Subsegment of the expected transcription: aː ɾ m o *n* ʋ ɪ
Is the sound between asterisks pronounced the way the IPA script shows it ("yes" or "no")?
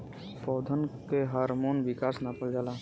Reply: yes